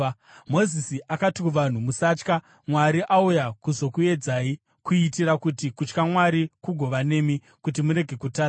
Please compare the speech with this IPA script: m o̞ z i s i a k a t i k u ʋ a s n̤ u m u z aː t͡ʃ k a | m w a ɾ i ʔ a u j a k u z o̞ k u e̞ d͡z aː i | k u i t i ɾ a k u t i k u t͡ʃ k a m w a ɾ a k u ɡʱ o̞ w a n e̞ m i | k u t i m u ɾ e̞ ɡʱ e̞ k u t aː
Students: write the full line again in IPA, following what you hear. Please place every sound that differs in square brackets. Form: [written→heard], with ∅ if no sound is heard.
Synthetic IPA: m o̞ z i s i a k a t i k u ʋ a [s→∅] n̤ u m u [z→s] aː t͡ʃ k a | m w a ɾ i ʔ a u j a k u z o̞ k u e̞ d͡z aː i | k u i t i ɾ a k u t i k u t͡ʃ k a m w a ɾ [a→i] k u ɡʱ o̞ [w→ʋ] a n e̞ m i | k u t i m u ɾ e̞ ɡʱ e̞ k u t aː